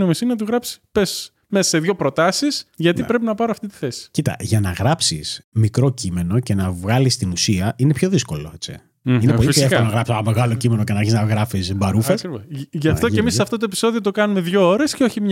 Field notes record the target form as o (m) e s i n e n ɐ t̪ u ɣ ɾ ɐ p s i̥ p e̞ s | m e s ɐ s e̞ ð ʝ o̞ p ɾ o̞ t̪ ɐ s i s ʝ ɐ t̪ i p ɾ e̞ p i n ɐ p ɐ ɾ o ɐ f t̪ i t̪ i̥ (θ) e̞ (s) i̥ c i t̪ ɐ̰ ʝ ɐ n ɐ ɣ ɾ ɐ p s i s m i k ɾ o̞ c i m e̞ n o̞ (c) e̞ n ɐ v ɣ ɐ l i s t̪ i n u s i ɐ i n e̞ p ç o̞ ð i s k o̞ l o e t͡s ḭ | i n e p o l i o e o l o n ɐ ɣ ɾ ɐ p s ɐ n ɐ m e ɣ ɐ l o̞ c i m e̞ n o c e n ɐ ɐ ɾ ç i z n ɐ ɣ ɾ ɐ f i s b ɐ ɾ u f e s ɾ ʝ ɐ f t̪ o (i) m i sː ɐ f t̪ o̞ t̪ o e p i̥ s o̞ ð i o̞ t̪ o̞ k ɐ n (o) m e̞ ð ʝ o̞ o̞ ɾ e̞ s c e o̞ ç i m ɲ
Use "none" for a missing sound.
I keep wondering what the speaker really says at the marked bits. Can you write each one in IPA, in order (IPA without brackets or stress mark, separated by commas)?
m, θ, s, c, e, u